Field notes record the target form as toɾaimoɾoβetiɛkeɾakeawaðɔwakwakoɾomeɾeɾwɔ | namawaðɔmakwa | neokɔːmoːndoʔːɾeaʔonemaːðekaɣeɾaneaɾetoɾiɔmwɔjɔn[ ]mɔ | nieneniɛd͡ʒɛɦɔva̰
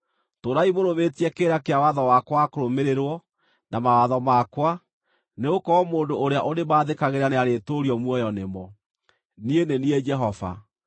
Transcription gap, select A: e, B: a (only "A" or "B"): A